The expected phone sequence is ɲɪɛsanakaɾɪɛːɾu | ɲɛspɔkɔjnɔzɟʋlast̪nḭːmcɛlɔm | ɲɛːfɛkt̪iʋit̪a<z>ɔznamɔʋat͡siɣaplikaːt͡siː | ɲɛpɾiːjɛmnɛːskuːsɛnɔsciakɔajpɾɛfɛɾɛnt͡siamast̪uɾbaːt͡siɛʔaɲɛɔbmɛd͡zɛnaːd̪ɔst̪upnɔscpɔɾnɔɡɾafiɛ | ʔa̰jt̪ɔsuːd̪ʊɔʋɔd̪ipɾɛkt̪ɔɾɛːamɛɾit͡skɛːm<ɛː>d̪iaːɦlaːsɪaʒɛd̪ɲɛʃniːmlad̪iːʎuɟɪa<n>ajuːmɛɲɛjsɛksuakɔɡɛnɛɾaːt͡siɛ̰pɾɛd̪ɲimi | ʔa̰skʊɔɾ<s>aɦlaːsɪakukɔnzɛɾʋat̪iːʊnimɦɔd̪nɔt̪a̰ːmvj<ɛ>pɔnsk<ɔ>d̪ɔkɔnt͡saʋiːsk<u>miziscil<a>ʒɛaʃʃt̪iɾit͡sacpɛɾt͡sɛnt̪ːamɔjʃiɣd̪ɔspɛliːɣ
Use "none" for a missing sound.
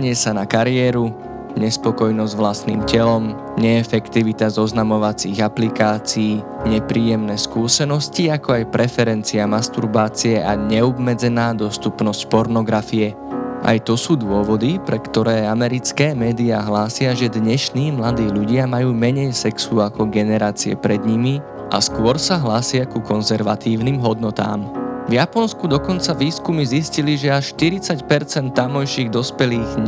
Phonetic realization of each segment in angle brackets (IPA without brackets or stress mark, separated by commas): z, ɛː, m, s, a, u, u, i